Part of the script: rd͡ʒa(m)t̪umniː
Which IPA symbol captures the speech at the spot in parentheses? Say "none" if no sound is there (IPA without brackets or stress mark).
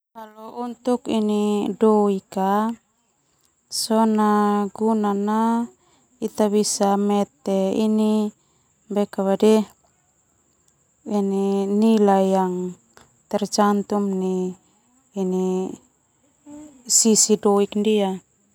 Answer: n